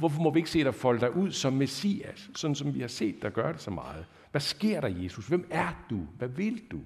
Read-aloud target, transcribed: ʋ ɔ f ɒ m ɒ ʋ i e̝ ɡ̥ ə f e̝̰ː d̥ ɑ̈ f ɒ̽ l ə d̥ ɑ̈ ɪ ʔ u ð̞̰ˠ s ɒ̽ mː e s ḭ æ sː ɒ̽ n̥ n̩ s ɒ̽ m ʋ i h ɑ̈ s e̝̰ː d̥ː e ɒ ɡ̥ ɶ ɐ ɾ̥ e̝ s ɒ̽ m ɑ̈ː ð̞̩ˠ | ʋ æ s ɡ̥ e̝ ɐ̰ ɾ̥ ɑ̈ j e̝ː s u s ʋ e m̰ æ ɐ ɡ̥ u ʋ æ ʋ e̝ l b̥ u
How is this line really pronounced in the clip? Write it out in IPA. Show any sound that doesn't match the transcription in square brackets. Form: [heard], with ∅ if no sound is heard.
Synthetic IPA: ʋ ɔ f ɒ m ɒ ʋ i e̝ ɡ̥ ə [s] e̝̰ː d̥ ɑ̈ f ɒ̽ l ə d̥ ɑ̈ ɪ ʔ u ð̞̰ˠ s ɒ̽ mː e s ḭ æ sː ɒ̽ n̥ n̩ s ɒ̽ m ʋ i h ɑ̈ s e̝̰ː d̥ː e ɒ ɡ̥ ɶ ɐ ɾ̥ e̝ s ɒ̽ m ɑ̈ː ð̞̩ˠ | ʋ æ s ɡ̥ e̝ ɐ̰ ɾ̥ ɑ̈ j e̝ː s u s ʋ e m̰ æ ɐ [d̥] u ʋ æ ʋ e̝ l [d̥] u